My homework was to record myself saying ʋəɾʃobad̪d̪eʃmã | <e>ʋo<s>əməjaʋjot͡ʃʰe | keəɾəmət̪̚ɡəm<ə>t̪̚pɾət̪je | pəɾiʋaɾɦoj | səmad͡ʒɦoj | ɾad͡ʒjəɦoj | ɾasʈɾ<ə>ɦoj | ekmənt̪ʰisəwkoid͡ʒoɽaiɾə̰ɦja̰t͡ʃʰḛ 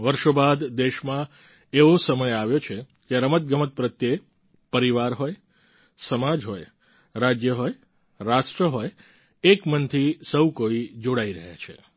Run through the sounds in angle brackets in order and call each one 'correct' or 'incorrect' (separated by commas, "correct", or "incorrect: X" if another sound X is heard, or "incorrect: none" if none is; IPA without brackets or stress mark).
correct, correct, correct, correct